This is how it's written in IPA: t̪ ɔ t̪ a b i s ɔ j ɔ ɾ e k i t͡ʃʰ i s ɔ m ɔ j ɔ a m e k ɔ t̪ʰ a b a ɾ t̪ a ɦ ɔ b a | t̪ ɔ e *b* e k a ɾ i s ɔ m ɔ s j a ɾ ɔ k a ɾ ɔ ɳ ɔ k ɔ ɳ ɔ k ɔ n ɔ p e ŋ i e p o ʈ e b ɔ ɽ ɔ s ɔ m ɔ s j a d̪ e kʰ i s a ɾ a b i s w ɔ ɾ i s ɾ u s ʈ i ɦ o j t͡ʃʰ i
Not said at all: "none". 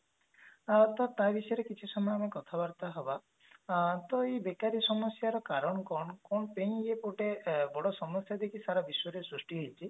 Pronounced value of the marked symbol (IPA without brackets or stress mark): b